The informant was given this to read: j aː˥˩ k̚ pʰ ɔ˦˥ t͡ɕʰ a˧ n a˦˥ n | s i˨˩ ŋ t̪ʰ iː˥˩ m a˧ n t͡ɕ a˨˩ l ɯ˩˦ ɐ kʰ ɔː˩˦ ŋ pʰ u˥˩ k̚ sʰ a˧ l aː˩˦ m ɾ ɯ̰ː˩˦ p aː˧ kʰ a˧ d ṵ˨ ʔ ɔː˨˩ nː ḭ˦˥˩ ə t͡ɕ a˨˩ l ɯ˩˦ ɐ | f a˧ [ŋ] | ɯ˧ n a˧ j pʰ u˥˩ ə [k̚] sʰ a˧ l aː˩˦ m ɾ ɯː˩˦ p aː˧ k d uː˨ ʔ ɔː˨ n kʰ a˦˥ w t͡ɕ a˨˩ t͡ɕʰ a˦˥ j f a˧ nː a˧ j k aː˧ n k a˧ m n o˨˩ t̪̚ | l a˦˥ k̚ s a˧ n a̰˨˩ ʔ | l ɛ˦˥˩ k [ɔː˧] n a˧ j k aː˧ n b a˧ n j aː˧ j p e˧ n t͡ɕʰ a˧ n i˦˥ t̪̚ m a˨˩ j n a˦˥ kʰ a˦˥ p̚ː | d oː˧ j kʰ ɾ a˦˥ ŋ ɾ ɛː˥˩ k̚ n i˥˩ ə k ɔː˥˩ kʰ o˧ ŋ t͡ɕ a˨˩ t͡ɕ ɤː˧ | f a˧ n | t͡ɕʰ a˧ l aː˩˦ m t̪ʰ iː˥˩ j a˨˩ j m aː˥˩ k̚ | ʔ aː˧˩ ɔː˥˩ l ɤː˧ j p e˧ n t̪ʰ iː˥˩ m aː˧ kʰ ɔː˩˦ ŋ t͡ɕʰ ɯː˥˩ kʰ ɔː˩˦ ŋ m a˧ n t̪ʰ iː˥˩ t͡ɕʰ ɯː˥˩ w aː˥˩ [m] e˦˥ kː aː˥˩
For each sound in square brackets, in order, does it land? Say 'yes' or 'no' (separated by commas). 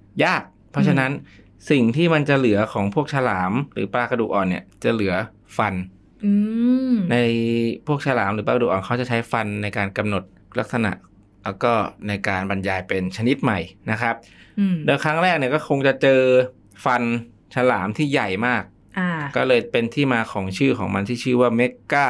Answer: no, yes, no, yes